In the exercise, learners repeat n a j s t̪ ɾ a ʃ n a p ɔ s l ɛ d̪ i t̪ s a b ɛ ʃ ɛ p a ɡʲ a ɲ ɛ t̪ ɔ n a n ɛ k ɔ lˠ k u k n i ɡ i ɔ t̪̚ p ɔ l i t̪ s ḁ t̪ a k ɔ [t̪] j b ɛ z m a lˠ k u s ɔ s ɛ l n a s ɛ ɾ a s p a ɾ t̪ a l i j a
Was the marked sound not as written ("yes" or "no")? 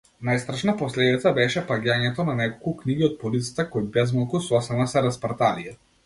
yes